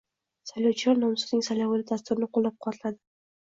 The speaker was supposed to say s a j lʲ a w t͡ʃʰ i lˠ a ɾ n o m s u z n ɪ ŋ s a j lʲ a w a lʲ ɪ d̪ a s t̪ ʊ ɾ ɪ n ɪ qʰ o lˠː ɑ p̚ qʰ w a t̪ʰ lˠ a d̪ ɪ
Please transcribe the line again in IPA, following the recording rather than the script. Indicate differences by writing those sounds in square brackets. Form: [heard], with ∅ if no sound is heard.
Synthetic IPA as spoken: s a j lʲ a w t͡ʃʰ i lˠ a ɾ n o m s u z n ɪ ŋ s a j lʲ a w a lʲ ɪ d̪ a s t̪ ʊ ɾ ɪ n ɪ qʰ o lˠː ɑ p̚ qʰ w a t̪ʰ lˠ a d̪ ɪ